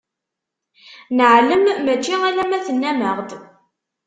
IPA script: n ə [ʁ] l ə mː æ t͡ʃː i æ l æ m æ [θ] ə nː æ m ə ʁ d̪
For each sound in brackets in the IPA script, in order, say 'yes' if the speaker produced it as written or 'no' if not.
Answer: no, yes

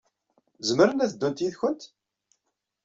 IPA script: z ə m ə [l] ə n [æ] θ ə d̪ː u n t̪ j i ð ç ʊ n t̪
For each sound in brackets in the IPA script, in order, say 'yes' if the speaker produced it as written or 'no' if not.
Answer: no, yes

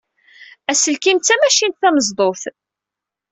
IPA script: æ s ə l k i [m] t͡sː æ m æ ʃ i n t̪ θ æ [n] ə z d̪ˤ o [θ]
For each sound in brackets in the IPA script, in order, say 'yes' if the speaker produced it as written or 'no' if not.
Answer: yes, no, yes

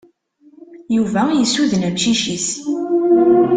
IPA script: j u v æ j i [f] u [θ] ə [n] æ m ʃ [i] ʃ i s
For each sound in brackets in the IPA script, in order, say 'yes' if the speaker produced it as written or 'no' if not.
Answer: no, no, yes, yes

